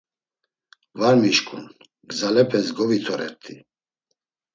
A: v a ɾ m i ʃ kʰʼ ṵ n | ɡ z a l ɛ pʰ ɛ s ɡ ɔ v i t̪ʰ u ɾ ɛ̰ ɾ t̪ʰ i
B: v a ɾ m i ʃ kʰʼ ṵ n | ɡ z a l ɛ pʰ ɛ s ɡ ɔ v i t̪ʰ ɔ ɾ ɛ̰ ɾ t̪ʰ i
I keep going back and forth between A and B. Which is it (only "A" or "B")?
B